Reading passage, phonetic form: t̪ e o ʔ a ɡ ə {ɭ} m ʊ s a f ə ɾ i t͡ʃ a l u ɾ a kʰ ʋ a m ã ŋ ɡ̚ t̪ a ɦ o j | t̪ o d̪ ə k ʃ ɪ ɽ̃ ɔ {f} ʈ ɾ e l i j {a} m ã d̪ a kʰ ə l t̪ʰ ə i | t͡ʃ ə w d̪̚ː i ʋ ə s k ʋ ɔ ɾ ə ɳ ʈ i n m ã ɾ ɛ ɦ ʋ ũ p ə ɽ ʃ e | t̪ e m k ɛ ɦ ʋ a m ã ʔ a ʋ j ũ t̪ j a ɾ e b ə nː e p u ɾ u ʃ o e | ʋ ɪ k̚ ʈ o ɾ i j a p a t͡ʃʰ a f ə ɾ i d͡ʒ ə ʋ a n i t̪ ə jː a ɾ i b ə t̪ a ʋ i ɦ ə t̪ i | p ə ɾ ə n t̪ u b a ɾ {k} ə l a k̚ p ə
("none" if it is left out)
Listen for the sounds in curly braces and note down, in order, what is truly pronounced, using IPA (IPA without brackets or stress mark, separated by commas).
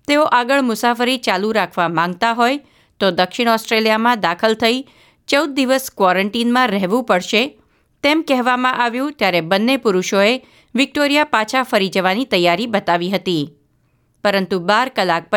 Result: ɭ, s, a, k